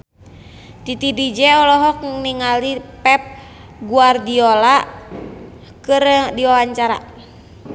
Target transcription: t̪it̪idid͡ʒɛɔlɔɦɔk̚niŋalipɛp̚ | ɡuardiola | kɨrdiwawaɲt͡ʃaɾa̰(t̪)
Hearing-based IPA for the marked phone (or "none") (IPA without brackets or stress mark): none